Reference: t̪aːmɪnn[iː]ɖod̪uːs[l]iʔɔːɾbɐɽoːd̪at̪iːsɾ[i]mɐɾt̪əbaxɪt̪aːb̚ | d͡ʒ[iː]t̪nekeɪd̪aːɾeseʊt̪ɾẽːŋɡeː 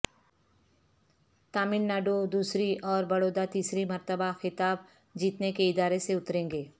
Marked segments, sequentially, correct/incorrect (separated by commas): incorrect, incorrect, correct, correct